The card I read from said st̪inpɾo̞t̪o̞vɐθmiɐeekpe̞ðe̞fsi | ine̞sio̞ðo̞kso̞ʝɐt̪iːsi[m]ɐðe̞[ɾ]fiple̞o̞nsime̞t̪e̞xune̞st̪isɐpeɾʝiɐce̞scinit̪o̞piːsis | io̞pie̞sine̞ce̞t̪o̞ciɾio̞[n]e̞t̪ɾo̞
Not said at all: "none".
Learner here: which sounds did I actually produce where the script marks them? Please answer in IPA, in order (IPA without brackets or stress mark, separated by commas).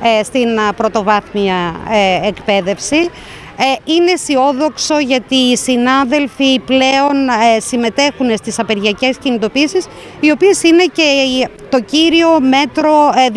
n, l, m